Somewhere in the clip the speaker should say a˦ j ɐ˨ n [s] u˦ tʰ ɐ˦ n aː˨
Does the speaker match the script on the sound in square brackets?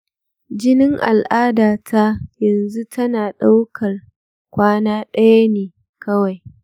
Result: no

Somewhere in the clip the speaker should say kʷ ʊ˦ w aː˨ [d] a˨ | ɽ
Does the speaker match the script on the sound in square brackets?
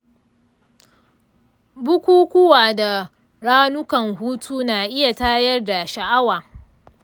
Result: yes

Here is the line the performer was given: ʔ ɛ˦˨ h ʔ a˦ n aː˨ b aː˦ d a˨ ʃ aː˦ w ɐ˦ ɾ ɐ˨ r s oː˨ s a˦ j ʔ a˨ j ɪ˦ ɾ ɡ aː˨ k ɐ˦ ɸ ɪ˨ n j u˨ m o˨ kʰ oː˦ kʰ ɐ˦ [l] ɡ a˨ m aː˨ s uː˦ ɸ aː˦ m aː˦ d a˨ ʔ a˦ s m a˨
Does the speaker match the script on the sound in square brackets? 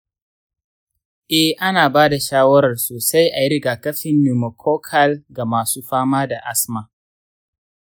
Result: yes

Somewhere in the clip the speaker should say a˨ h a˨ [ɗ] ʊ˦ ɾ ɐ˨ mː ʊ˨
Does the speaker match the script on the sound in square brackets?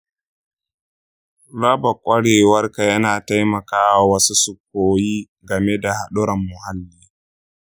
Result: yes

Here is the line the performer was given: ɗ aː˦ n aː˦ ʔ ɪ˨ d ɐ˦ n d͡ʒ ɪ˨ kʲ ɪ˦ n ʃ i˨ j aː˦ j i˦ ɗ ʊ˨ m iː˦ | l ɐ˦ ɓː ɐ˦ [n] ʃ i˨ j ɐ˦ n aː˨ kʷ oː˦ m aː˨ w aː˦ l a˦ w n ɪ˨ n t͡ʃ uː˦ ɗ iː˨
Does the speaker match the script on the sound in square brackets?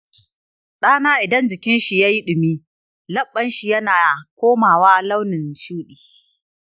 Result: yes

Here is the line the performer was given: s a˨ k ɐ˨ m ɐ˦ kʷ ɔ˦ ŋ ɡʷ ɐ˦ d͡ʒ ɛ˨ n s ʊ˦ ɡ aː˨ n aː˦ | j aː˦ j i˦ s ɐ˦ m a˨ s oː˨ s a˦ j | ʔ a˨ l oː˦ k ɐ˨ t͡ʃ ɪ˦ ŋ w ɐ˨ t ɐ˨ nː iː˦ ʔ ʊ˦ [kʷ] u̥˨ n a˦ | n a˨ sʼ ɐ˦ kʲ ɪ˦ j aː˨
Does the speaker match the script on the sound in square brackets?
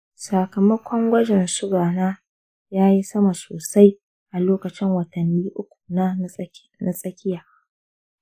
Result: yes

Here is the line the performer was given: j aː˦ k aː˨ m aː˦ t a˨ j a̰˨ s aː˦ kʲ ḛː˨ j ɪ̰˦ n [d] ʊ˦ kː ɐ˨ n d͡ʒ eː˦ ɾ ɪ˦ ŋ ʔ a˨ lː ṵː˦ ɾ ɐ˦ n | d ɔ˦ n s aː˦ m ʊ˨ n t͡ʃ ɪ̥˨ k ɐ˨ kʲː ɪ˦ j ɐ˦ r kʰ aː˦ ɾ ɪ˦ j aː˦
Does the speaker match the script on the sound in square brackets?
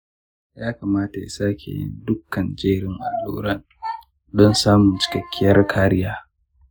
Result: yes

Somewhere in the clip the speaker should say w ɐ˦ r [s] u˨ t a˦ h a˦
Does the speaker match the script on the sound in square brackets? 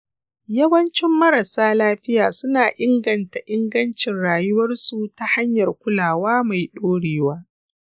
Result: yes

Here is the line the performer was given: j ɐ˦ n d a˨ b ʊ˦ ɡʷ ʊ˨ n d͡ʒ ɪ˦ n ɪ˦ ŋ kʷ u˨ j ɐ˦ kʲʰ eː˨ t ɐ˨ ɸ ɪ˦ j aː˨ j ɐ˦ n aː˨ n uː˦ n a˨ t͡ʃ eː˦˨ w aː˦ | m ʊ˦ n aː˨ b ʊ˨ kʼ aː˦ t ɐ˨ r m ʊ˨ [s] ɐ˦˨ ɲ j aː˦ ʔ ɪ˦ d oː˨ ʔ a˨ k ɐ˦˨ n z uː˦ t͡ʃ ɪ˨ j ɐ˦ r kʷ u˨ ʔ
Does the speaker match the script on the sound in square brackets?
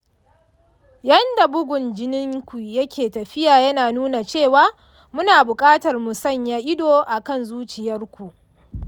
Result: yes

